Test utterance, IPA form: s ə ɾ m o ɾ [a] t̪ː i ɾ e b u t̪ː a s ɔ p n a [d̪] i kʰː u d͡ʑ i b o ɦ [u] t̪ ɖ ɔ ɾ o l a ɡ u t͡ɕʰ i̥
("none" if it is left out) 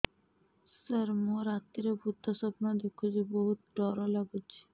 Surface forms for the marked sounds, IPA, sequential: a, d̪, u

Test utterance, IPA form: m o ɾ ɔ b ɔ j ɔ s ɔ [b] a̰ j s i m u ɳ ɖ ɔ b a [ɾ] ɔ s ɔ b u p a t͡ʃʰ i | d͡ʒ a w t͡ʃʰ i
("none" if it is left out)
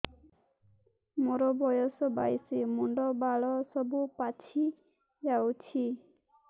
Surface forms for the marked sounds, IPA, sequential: b, ɭ

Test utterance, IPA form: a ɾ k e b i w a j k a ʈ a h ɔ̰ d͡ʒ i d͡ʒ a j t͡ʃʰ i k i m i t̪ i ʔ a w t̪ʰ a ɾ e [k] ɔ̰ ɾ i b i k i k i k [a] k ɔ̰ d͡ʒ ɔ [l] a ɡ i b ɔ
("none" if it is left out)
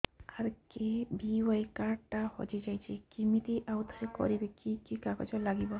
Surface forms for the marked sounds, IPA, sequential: k, a, l

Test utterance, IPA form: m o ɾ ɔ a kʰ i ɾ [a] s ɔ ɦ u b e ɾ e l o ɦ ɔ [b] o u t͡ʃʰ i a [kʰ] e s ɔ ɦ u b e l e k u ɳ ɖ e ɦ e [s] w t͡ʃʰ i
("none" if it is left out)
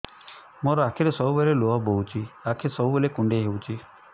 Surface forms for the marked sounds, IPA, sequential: e, b, kʰ, none

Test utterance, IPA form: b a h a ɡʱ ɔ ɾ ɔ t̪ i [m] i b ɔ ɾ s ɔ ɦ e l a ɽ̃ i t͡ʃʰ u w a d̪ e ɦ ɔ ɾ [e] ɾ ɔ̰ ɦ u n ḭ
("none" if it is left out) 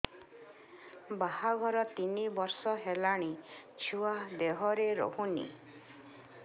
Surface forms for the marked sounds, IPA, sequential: n, e

